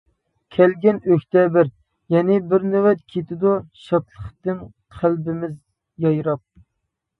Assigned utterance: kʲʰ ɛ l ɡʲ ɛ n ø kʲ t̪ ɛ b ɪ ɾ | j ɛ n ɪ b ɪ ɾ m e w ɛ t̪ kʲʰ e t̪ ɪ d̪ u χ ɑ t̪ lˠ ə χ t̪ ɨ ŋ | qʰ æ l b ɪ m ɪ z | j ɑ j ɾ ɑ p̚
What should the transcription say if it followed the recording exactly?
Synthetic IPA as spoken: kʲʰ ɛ l ɡʲ ɛ n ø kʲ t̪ ɛ b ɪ ɾ | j ɛ n ɪ b ɪ ɾ n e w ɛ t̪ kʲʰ e t̪ ɪ d̪ u ʃ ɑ t̪ lˠ ə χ t̪ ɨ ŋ | qʰ æ l b ɪ m ɪ z | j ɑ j ɾ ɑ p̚

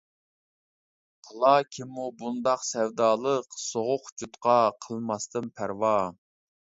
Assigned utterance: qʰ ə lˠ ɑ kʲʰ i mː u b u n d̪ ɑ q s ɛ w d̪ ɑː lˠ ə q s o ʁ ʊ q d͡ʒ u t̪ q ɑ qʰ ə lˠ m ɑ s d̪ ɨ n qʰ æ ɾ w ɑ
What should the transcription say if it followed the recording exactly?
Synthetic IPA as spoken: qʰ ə lˠ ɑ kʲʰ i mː u b u n d̪ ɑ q s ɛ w d̪ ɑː lˠ ə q s o ʁ ʊ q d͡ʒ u t̪ q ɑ qʰ ə lˠ m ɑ s t̪ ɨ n pʰ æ ɾ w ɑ

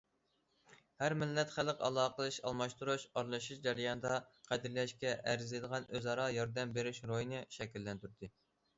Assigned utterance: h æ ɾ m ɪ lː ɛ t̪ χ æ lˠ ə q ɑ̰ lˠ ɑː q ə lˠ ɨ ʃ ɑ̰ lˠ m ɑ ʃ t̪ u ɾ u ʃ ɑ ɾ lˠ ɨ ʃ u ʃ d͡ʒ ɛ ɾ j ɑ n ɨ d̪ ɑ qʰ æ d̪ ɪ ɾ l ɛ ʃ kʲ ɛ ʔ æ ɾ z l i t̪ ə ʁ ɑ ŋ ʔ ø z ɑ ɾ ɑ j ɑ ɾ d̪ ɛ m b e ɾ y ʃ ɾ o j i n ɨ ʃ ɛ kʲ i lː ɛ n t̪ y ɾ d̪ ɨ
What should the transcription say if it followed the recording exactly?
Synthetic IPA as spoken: h æ ɾ m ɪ lː ɛ t̪ χ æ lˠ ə q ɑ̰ lˠ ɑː q ə lˠ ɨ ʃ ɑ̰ lˠ m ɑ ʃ t̪ u ɾ u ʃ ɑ ɾ lˠ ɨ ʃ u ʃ d͡ʒ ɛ ɾ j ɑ n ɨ d̪ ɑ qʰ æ d̪ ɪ ɾ l ɛ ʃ kʲ ɛ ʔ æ ɾ z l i d̪ ə ʁ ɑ n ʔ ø z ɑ ɾ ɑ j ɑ ɾ d̪ ɛ m b e ɾ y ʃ ɾ o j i n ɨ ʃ ɛ kʲ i lː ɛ n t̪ y ɾ d̪ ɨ

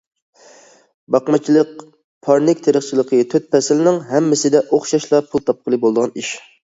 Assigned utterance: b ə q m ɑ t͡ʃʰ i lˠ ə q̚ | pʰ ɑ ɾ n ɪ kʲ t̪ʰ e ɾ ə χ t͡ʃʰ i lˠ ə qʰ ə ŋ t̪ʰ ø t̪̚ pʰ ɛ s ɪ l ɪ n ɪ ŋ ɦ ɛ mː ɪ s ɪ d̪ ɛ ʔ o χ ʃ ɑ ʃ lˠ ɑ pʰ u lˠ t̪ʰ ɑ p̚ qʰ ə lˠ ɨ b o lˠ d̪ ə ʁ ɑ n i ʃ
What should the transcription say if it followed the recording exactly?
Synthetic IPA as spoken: b ɑ q m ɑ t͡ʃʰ i lˠ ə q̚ | pʰ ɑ ɾ n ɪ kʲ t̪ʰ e ɾ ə χ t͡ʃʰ i lˠ ə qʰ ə t̪ʰ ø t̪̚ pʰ ɛ s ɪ l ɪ n ɪ ŋ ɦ ɛ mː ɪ s ɪ d̪ ɛ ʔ o χ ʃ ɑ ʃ lˠ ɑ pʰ u lˠ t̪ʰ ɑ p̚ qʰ ə lˠ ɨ b o lˠ d̪ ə ʁ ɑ n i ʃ

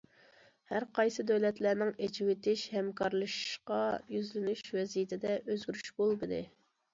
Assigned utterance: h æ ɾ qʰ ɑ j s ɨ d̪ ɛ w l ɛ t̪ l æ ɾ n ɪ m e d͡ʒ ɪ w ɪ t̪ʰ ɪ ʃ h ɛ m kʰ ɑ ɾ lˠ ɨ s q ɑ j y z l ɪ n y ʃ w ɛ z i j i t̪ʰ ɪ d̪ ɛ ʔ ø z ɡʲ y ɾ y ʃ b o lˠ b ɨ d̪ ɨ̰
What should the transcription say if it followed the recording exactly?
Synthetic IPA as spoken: h æ ɾ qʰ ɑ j s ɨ d̪ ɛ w l ɛ t̪ l æ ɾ n ɪ ŋ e d͡ʒ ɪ w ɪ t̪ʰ ɪ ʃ h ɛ m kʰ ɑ ɾ lˠ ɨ ʃ q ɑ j y z l ɪ n y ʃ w ɛ z i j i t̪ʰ ɪ d̪ ɛ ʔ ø z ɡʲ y ɾ y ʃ b o lˠ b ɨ d̪ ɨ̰

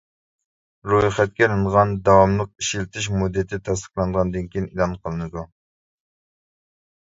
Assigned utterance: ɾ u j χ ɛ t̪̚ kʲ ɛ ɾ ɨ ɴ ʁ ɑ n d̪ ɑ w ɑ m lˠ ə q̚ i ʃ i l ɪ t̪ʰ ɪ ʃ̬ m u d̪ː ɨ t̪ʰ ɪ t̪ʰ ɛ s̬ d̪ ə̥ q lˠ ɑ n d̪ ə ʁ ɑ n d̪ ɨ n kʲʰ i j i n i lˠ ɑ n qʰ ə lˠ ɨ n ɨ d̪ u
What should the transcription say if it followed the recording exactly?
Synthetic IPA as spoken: ɾ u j χ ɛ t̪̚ kʲ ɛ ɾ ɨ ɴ ʁ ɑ n d̪ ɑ w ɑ m lˠ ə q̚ i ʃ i l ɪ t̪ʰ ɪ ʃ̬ m u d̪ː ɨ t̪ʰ ɪ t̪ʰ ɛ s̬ t̪ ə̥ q lˠ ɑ n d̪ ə ʁ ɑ n d̪ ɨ n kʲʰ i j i n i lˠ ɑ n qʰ ə lˠ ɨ n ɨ d̪ u

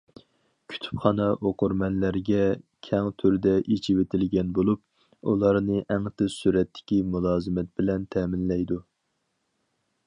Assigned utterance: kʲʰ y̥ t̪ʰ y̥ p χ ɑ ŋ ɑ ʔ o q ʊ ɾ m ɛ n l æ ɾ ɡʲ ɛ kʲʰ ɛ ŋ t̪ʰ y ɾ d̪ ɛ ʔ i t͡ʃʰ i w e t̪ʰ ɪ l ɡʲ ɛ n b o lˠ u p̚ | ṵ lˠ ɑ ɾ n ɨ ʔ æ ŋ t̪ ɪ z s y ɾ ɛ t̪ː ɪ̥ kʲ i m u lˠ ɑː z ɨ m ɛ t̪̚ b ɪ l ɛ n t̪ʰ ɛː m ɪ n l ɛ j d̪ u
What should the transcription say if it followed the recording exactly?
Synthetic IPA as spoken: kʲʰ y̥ t̪ʰ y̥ p χ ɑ n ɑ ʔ o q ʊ ɾ m ɛ n l æ ɾ ɡʲ ɛ kʲʰ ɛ ŋ t̪ʰ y ɾ d̪ ɛ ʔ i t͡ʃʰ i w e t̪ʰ ɪ l ɡʲ ɛ n b o lˠ u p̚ | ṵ lˠ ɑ ɾ n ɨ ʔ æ ŋ t̪ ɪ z s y ɾ ɛ t̪ː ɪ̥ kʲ i m u lˠ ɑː z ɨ m ɛ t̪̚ b ɪ l ɛ n t̪ʰ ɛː m ɪ n l ɛ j d̪ u

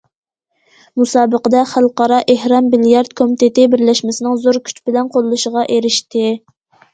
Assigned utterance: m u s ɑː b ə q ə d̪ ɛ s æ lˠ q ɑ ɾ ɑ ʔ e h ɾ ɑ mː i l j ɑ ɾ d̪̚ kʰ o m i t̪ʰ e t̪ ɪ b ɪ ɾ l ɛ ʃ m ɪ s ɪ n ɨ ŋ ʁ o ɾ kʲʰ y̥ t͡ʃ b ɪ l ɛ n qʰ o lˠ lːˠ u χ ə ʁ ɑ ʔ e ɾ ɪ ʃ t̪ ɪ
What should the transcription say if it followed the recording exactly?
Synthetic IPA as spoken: m u s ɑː b ə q ə d̪ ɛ χ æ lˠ q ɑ ɾ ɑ ʔ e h ɾ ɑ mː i l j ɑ ɾ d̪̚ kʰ o m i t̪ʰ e t̪ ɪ b ɪ ɾ l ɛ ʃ m ɪ s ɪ n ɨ ŋ z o ɾ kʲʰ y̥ t͡ʃ b ɪ l ɛ n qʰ o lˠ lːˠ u ʃ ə ʁ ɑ ʔ e ɾ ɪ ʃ t̪ ɪ

